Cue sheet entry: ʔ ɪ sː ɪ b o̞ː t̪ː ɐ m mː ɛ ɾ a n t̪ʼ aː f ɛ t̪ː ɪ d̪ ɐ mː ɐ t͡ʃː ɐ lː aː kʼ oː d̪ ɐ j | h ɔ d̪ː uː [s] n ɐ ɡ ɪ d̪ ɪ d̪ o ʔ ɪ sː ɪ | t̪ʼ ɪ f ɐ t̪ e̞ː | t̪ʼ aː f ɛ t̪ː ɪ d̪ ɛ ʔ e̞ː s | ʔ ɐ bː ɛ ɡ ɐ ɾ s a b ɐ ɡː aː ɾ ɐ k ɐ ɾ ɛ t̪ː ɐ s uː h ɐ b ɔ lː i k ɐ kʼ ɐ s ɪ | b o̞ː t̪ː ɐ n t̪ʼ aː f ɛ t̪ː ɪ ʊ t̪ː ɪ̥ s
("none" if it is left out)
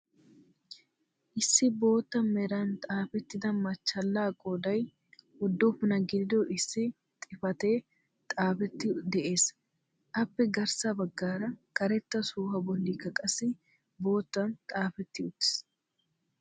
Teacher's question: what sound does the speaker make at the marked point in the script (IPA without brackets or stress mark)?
f